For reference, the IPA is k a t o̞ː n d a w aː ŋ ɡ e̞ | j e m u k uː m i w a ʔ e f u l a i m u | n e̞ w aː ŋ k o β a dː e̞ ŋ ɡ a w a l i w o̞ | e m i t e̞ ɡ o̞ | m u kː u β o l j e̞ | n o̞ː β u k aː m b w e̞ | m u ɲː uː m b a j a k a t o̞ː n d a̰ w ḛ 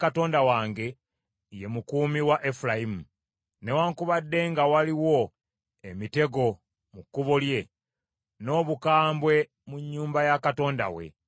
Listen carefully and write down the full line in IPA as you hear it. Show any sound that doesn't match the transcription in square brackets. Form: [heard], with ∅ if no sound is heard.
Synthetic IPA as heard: k a t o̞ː n d a w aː ŋ ɡ e̞ | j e m u k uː m i w a ʔ e f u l a i m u | n e̞ w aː ŋ k [u] β a dː e̞ ŋ ɡ a w a l i w o̞ | e m i t e̞ ɡ o̞ | m u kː u β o l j e̞ | n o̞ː β u k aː m b w e̞ | m u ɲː uː m b a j a k a t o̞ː n d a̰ w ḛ